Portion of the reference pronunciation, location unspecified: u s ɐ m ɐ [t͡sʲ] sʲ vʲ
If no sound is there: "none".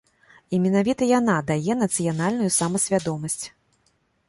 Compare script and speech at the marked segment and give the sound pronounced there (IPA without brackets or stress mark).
none